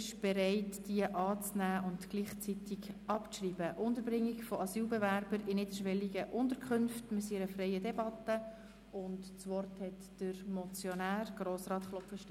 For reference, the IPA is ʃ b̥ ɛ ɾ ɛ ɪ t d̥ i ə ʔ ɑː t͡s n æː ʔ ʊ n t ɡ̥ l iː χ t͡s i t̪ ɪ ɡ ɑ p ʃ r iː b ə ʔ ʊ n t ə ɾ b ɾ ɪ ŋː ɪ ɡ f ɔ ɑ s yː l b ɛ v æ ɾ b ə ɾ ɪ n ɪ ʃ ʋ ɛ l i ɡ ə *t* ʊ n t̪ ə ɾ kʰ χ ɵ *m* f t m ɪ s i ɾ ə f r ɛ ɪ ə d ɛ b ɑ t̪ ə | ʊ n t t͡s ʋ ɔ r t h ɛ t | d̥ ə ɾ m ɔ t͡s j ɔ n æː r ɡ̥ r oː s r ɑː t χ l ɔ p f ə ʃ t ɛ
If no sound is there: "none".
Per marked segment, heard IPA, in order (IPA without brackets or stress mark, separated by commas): ʔ, n